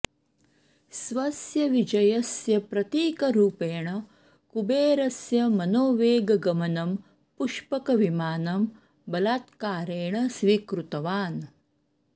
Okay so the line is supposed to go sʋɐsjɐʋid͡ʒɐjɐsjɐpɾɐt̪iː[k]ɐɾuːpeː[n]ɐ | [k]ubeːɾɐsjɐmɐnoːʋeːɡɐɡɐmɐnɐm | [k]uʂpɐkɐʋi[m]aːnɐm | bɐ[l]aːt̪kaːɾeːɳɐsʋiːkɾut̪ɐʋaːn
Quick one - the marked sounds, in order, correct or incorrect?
correct, incorrect: ɳ, correct, incorrect: p, correct, correct

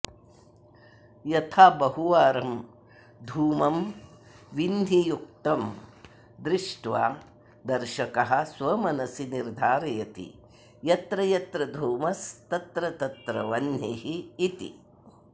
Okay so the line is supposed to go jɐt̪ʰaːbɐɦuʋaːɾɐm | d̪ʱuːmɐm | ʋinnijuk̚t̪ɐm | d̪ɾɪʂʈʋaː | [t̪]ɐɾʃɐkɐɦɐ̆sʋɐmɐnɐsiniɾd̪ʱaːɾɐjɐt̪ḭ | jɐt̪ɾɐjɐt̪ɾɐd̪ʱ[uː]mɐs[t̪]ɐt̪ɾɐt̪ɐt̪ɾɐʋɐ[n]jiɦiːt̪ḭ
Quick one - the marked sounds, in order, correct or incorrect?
incorrect: d̪, correct, correct, correct

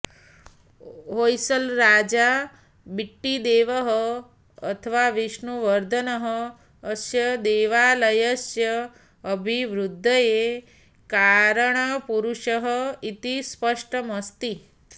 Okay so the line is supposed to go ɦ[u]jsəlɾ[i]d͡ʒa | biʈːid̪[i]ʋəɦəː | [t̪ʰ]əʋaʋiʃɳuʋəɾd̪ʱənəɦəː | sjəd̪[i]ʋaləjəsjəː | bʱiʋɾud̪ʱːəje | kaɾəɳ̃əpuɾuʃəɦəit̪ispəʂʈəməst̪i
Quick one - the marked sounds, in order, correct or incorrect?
incorrect: o, incorrect: a, incorrect: e, correct, incorrect: e

